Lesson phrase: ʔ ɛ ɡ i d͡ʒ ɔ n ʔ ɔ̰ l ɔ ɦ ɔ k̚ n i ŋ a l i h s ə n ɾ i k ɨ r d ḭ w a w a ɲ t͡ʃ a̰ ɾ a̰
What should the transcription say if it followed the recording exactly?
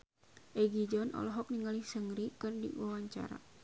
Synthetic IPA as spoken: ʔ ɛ ɡ i d͡ʒ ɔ n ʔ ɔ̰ l ɔ ɦ ɔ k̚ n i ŋ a l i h s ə ŋ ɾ i k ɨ r d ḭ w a w a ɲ t͡ʃ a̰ ɾ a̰